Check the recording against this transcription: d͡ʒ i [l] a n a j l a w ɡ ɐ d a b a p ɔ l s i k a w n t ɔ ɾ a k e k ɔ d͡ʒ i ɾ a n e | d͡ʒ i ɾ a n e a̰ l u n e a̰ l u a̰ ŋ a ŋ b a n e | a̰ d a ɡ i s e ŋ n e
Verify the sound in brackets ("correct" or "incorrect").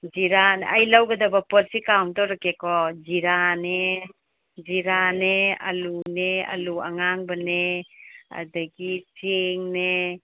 incorrect